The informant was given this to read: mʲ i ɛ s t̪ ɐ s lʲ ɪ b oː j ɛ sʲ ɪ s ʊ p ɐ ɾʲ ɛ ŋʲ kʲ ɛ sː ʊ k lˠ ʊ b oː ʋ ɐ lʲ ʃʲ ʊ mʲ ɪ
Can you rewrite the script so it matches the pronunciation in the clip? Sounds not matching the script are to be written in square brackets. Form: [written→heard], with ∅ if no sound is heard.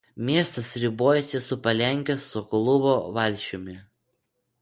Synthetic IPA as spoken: mʲ i ɛ s t̪ ɐ s [lʲ→ɾʲ] ɪ b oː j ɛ sʲ ɪ s ʊ p ɐ [ɾʲ→lʲ] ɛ ŋʲ kʲ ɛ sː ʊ k lˠ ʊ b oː ʋ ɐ lʲ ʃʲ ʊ mʲ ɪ